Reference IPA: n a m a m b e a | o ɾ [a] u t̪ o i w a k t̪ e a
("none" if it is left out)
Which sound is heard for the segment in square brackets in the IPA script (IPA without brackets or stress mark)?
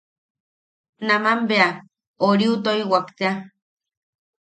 i